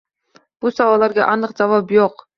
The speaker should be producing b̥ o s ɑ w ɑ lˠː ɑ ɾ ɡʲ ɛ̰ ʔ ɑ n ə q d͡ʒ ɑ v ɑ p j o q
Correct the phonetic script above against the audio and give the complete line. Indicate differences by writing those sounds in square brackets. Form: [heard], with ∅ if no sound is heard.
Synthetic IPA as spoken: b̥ [u] s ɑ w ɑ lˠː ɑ ɾ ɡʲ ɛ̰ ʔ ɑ n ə q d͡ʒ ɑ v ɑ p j o q